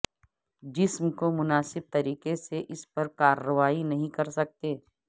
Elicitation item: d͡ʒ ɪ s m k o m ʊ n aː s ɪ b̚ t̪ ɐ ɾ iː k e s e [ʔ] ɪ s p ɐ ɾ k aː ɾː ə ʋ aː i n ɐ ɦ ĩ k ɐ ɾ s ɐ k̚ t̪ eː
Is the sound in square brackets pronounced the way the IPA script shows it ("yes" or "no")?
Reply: yes